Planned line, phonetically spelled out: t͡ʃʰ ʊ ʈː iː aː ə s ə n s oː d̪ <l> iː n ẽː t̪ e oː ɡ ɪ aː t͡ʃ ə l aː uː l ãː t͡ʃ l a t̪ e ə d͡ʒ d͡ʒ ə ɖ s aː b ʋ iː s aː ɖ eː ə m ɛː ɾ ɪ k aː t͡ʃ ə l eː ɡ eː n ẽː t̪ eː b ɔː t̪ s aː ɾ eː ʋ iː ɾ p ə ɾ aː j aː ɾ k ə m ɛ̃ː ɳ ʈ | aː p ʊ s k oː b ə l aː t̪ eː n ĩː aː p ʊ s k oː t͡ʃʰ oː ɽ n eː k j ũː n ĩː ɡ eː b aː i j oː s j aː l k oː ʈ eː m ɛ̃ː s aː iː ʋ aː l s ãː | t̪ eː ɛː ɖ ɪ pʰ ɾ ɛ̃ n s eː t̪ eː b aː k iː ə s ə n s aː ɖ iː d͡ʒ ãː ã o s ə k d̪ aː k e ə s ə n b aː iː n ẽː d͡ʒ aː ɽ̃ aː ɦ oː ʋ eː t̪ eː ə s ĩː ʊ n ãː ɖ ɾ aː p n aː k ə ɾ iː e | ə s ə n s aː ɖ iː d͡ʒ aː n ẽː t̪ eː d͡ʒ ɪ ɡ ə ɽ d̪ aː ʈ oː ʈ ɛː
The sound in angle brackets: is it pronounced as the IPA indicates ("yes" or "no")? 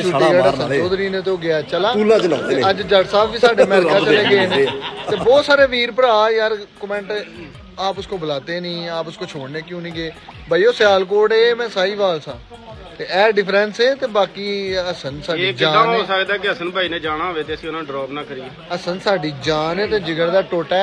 no